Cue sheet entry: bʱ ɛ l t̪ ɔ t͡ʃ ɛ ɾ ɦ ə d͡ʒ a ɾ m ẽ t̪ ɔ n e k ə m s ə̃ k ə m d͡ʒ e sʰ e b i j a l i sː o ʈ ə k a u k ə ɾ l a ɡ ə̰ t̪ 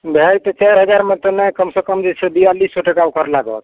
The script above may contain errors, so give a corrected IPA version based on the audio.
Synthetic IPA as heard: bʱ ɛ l t̪ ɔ t͡ʃ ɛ ɾ ɦ ə d͡ʒ a ɾ m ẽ t̪ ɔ n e k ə m s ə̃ k ə m d͡ʒ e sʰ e b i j a l i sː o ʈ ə k a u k ə ɾ l a ɡ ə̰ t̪